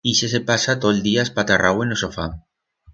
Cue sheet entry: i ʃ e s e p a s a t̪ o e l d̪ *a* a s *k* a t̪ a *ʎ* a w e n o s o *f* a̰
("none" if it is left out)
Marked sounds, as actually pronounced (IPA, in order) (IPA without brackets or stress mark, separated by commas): i, p, r, f